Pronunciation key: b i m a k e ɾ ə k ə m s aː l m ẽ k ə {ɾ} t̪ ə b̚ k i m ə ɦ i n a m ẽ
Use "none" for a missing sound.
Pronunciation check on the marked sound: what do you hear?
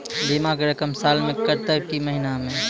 ɾ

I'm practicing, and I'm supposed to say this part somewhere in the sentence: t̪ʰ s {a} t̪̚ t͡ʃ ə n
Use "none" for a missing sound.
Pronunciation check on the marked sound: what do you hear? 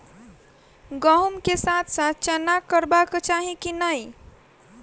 a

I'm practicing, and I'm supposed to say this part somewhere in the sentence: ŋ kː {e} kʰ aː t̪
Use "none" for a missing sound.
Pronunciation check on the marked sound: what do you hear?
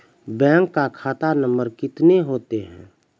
a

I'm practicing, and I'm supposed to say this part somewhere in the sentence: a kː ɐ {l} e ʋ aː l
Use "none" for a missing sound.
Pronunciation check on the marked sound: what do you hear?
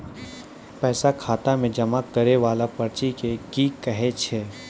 ɾ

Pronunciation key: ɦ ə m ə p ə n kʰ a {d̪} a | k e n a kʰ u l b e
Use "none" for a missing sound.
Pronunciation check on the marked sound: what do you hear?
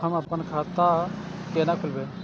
t̪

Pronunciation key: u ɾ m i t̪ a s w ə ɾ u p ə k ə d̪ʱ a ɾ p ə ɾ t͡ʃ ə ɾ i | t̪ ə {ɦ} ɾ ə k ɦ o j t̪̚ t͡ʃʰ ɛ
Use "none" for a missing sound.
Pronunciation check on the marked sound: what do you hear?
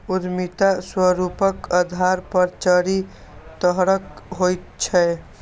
ɦ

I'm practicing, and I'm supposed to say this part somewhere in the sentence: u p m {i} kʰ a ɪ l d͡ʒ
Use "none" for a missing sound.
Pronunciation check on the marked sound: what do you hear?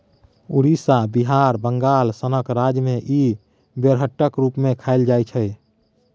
e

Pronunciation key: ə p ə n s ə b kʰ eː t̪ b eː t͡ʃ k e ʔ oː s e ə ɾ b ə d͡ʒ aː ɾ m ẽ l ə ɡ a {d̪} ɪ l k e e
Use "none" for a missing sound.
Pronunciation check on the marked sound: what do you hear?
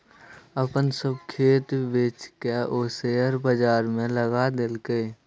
d̪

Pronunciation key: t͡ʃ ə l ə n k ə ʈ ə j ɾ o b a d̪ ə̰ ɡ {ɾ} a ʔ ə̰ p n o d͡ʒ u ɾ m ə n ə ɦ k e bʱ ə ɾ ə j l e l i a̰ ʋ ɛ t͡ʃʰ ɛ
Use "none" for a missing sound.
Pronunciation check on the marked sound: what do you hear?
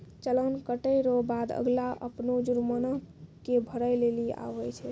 l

